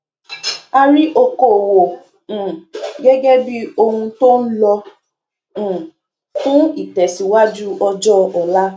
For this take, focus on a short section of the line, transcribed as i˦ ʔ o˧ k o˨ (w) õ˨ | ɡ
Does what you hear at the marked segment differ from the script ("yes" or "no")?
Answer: no